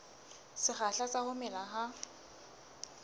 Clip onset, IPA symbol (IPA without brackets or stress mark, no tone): s